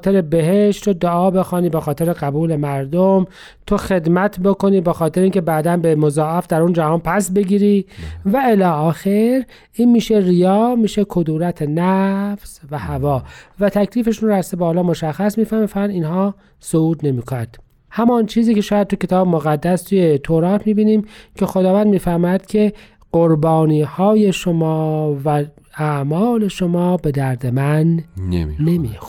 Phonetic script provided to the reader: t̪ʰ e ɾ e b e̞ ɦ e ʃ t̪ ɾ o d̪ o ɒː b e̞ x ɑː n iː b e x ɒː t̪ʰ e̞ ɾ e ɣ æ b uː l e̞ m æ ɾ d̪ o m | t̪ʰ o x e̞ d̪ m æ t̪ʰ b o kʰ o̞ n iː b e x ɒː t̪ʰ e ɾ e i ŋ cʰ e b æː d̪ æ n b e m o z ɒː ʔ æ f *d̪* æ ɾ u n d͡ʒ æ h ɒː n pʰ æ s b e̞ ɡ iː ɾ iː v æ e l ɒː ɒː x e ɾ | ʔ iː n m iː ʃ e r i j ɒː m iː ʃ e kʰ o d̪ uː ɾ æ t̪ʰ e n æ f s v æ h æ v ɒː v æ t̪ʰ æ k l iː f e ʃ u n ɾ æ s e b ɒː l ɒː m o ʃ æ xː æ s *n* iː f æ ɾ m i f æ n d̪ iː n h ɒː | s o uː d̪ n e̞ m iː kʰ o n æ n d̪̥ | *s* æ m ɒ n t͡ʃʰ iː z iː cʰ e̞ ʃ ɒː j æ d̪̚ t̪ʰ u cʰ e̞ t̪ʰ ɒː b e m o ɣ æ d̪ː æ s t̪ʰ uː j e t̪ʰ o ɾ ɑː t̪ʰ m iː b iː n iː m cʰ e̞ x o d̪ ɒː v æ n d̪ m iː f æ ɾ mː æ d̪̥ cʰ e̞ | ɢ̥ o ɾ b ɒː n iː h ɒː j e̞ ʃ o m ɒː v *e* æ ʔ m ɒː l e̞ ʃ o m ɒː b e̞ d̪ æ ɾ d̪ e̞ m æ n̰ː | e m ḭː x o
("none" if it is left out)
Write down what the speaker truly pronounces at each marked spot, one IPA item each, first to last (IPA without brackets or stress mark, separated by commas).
d̪, m, h, æ